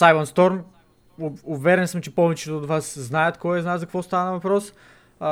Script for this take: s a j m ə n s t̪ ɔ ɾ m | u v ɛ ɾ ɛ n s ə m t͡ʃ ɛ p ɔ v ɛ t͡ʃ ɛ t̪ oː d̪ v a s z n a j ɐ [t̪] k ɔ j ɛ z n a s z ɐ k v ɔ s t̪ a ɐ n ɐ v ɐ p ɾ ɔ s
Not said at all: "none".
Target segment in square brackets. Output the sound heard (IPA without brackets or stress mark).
t̪